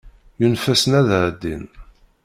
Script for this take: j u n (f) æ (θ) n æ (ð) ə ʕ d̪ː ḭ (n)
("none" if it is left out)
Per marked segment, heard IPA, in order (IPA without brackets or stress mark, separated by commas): f, s, ð, n